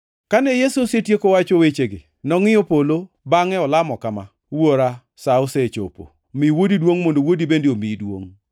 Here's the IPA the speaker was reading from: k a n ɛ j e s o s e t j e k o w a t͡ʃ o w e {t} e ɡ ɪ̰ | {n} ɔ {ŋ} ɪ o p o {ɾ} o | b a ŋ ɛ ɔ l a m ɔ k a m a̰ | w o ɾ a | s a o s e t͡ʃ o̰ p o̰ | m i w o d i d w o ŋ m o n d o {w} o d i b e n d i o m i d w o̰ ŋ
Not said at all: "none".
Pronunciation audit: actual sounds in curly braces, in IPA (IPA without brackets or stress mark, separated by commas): t͡ʃ, n, ŋ, l, w